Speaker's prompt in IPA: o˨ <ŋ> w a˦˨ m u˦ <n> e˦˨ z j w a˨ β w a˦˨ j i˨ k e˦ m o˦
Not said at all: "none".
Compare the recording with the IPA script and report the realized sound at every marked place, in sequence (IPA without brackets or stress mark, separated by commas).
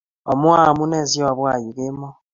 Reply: m, n